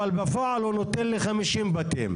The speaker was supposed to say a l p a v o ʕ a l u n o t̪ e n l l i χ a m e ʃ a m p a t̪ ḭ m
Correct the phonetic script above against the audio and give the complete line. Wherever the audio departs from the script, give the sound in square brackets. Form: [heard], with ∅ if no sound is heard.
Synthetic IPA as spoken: a l [b] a [f] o ʕ a l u n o t̪ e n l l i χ a m [i] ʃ [i] m [b] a t̪ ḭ m